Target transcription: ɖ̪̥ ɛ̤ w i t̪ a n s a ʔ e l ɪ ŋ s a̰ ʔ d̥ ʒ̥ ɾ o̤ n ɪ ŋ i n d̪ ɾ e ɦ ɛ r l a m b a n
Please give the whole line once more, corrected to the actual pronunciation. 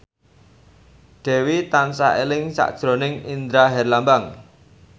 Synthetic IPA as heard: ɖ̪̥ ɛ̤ w i t̪ a n s a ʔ e l ɪ ŋ s a̰ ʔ d̥ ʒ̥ ɾ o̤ n ɪ ŋ i n d̪ ɾ a ɦ ɛ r l a m b a ŋ